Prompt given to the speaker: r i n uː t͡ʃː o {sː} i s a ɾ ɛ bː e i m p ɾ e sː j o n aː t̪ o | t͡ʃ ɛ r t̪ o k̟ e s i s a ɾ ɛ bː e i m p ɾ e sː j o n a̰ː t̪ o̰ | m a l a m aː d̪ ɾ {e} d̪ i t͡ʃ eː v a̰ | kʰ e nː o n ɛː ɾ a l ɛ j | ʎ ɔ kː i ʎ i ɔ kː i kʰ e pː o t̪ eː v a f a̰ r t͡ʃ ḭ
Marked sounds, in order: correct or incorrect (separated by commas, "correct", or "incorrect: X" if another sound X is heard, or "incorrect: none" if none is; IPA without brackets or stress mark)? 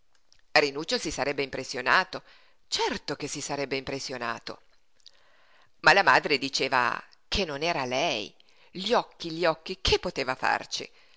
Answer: incorrect: s, correct